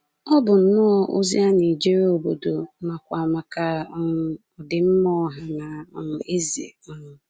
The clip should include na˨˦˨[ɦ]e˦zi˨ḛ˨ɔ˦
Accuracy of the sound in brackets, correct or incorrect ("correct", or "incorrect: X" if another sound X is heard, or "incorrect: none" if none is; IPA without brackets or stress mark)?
incorrect: none